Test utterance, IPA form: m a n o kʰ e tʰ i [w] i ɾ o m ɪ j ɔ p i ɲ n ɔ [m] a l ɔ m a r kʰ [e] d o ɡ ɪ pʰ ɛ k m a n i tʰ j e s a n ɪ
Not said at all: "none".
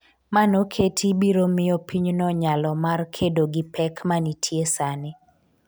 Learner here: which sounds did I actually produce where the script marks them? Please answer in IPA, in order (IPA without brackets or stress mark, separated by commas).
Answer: b, ɲ, e